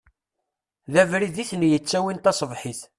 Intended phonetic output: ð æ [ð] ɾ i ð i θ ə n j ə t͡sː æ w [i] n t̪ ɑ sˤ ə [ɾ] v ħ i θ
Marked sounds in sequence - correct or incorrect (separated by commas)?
incorrect, correct, incorrect